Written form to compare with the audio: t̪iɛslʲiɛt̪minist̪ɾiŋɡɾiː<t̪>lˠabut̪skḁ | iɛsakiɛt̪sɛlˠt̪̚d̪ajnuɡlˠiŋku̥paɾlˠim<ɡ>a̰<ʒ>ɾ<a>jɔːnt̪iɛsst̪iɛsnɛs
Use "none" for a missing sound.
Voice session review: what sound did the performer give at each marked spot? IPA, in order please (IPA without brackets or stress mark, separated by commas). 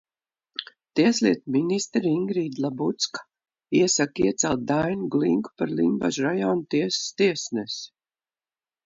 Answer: d̪, b, ʒ, a